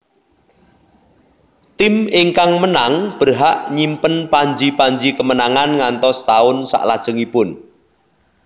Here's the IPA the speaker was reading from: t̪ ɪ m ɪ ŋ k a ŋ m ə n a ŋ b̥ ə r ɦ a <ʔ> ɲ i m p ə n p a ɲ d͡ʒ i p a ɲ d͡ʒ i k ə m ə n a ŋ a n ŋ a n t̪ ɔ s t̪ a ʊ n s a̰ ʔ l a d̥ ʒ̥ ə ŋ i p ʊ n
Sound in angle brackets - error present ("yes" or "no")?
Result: no